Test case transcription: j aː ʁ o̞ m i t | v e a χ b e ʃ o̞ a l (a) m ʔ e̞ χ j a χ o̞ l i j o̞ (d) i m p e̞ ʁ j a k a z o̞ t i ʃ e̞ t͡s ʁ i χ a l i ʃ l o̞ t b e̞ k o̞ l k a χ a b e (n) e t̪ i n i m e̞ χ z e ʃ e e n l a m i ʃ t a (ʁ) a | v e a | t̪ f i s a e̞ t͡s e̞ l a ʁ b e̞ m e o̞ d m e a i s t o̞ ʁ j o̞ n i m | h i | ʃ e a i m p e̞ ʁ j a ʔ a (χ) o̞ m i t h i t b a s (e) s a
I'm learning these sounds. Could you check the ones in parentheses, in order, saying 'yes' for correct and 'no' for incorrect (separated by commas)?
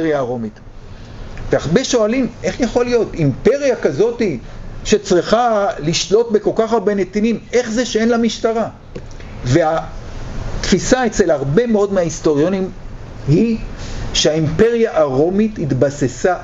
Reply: no, no, yes, yes, no, yes